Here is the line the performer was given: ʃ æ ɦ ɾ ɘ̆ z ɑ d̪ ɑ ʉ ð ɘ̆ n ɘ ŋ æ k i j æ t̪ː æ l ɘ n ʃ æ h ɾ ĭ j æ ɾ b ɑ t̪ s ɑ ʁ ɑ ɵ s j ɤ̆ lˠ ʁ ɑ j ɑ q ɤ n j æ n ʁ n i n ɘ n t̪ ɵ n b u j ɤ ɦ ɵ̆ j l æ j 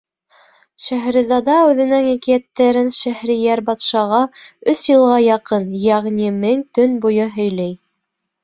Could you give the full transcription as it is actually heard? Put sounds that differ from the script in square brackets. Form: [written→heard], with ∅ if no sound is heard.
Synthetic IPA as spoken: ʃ æ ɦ ɾ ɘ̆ z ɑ d̪ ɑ ʉ ð ɘ̆ n ɘ ŋ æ k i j æ t̪ː æ [l→ɾ] ɘ n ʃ æ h ɾ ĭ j æ ɾ b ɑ t̪ [s→ʃ] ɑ ʁ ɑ ɵ s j ɤ̆ lˠ ʁ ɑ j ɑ q ɤ n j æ [n→∅] ʁ n i [n→m] ɘ [n→ŋ] t̪ ɵ n b u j ɤ ɦ ɵ̆ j l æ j